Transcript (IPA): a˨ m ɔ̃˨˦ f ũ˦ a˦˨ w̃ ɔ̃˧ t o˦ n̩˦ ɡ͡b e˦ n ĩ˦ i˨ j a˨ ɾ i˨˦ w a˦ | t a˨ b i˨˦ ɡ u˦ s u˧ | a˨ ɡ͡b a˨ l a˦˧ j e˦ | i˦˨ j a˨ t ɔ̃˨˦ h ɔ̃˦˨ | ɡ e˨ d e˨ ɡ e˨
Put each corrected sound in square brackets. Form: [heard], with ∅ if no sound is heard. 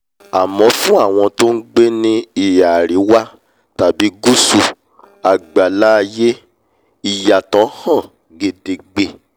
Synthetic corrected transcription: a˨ m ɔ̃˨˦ f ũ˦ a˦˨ w̃ ɔ̃˧ t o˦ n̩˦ ɡ͡b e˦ n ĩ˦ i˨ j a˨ ɾ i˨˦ w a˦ | t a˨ b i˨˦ ɡ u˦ s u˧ | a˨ ɡ͡b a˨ l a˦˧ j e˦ | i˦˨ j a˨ t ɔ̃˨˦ h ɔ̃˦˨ | ɡ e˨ d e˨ [ɡ͡b] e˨